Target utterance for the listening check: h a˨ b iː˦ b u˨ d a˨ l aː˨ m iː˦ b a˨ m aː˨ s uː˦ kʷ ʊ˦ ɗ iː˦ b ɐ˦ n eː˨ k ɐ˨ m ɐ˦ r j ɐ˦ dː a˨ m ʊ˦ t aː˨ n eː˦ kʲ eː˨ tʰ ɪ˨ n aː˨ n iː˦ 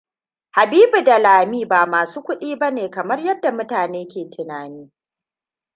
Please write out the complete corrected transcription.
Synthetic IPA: h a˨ b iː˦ b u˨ d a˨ l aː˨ m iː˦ b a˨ m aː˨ s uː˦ kʷ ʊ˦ ɗ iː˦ b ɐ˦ n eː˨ k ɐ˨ m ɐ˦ r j ɐ˦ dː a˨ m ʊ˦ t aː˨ n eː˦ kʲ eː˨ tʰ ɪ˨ n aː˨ n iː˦

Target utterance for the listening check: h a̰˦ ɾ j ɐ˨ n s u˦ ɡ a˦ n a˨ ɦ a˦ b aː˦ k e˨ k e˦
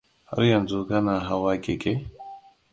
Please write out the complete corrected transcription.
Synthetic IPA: h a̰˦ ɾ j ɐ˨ n z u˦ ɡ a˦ n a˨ ɦ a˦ w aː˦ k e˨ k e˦

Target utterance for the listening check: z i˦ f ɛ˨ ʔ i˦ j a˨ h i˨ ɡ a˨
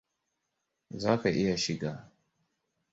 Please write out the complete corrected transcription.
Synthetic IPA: z a˦ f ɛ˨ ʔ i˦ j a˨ ʃ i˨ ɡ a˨

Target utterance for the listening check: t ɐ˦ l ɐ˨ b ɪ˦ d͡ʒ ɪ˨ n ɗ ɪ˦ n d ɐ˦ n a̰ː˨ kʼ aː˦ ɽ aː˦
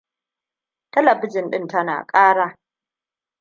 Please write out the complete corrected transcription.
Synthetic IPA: t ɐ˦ l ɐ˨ b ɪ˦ d͡ʒ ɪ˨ n ɗ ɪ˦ n t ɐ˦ n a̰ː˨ kʼ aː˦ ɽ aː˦

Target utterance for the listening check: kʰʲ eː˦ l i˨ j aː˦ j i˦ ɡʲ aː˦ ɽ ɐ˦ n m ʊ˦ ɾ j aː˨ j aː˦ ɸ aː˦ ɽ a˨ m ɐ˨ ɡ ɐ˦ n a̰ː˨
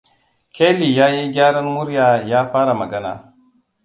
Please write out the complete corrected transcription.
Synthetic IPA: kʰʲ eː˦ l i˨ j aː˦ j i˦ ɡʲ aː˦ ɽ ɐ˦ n m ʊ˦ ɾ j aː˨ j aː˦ ɸ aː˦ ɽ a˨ m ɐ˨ ɡ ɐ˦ n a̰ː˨

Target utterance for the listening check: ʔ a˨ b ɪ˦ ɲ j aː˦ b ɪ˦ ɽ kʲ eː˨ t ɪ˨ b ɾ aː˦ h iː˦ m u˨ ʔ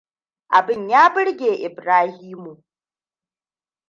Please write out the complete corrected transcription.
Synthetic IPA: ʔ a˨ b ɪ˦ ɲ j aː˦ b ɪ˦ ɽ ɡʲ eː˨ ʔ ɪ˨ b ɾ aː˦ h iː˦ m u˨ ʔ

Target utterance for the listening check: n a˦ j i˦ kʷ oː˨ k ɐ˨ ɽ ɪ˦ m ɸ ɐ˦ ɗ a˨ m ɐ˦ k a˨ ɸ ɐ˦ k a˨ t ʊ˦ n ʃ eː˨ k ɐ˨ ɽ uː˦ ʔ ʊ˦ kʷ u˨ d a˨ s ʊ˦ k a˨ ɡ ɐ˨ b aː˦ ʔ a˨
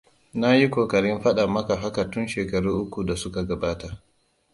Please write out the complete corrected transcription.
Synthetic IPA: n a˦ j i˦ kʷ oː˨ k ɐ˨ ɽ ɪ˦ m ɸ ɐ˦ ɗ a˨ m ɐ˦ k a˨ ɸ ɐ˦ k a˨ t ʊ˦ n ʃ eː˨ k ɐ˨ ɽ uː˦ ʔ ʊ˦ kʷ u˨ d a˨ s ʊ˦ k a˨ ɡ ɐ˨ b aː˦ t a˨

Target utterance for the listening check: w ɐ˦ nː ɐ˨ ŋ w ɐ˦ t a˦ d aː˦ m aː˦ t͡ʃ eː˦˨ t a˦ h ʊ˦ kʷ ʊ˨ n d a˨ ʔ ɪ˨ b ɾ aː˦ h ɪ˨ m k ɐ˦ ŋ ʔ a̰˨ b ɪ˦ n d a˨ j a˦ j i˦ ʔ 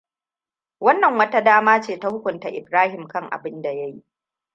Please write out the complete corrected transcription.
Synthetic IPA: w ɐ˦ nː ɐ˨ ŋ w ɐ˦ t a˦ d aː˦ m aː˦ t͡ʃ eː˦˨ t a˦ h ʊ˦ kʷ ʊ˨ n t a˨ ʔ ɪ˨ b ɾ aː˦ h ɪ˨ m k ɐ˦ ŋ ʔ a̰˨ b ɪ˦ n d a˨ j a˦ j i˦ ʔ

